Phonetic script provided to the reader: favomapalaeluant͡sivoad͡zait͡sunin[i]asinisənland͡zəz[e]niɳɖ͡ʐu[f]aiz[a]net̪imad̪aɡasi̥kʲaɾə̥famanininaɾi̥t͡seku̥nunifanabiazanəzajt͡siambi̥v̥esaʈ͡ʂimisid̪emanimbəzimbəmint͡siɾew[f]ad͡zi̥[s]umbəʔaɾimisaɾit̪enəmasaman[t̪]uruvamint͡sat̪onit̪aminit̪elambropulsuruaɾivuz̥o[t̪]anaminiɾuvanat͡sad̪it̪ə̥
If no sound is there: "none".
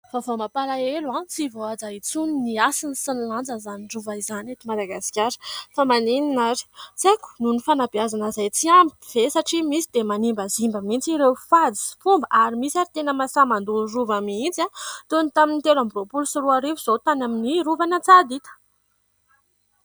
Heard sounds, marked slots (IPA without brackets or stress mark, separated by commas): i, a, v, a, f, f, d̪, t̪